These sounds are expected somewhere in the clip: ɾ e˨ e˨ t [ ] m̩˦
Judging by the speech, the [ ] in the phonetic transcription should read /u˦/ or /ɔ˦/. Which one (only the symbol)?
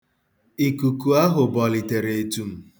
u˦